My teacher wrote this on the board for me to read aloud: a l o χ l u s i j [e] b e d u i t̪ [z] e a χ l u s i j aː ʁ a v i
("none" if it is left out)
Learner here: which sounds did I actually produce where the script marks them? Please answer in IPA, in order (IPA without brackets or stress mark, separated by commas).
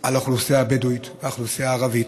a, v